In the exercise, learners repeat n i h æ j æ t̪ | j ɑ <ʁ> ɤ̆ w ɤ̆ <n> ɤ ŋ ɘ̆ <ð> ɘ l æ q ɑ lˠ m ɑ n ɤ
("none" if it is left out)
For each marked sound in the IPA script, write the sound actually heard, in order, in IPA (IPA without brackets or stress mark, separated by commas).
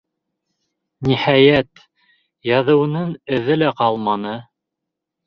ð, n, ð